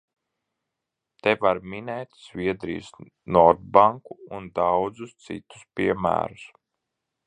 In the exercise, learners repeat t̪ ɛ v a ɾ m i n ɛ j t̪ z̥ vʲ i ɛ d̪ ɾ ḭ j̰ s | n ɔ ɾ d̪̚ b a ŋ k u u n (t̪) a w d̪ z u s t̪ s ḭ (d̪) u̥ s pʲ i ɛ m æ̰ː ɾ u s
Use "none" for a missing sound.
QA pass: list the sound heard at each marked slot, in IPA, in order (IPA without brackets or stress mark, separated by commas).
d̪, t̪